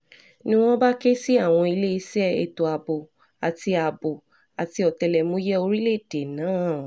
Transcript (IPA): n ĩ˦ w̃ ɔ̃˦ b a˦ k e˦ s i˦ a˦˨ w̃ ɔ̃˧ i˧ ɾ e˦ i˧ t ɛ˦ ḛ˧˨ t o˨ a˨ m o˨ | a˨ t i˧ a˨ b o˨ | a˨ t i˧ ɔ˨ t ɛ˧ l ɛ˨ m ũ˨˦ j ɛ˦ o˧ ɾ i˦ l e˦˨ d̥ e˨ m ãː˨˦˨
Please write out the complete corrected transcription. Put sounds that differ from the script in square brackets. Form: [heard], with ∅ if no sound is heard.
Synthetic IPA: n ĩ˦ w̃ ɔ̃˦ b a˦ k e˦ s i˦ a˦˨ w̃ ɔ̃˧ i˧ [l] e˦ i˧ [s] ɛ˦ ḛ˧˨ t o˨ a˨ [b] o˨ | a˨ t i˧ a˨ b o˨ | a˨ t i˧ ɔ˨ t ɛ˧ l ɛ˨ m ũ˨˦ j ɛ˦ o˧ ɾ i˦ l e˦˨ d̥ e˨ [n] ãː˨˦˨